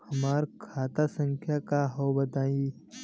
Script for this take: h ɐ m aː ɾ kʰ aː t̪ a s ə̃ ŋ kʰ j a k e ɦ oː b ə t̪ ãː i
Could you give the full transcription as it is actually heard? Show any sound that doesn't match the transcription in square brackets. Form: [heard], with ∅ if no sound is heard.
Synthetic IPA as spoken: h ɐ m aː ɾ kʰ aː t̪ a s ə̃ ŋ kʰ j a k [a] ɦ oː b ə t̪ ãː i